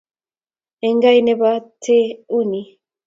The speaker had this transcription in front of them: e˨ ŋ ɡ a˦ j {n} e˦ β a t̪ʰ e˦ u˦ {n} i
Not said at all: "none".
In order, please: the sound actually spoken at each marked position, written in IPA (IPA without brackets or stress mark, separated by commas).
n, n